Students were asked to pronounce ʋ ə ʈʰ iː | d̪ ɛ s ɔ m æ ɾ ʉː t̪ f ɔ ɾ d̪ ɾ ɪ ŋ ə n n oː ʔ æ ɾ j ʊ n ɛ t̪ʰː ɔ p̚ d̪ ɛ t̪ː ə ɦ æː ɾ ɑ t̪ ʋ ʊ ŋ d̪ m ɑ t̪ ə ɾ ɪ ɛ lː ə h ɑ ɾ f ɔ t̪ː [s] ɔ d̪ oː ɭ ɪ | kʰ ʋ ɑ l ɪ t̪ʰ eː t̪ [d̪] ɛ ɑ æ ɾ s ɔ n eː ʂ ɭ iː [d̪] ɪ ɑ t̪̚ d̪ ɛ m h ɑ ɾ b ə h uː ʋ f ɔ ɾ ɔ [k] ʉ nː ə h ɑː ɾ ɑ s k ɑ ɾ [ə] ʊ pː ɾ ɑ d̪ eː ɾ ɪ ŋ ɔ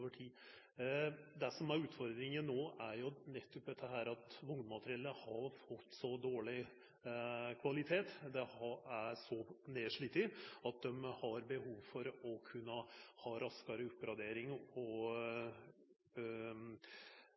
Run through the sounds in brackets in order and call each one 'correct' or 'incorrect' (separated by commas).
correct, correct, incorrect, incorrect, correct